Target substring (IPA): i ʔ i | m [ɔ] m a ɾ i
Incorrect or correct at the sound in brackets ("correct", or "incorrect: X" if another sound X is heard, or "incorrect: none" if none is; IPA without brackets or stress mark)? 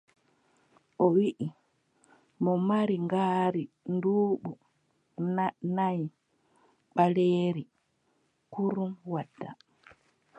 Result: correct